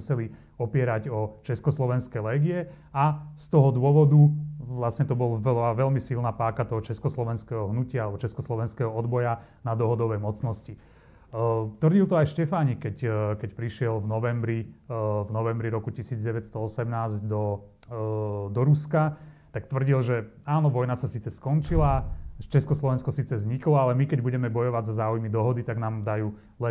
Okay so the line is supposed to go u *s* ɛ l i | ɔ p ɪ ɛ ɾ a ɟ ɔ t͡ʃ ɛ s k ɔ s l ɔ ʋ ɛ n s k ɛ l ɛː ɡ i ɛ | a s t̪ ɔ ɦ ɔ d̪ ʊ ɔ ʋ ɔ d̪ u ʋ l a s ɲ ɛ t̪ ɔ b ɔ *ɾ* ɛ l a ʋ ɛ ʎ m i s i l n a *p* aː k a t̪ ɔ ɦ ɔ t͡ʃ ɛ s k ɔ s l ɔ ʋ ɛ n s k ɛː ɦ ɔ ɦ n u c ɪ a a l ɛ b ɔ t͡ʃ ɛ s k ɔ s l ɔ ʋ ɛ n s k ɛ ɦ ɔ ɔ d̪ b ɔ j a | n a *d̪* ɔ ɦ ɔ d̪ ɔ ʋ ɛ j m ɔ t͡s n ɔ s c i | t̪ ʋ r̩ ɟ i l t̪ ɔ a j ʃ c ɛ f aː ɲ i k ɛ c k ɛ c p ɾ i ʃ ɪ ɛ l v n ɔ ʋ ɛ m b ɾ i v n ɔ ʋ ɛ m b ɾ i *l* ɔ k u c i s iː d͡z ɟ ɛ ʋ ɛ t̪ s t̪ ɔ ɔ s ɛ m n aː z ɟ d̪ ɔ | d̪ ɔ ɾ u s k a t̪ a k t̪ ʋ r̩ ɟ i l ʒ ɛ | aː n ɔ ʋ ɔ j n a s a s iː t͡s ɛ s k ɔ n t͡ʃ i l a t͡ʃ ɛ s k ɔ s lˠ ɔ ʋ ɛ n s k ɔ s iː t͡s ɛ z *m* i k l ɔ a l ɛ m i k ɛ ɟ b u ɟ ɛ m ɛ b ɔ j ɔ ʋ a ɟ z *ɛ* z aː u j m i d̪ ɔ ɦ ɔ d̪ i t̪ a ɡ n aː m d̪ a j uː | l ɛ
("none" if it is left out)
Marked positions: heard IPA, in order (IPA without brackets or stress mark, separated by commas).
s, l, p, d̪, ɾ, ɲ, a